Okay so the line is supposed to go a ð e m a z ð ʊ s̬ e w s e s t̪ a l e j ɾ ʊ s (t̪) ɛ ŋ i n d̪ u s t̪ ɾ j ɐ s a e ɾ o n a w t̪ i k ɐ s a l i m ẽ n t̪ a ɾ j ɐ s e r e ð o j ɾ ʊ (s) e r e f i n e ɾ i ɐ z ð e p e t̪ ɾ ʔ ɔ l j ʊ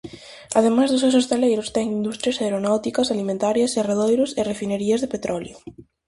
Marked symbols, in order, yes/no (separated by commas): yes, yes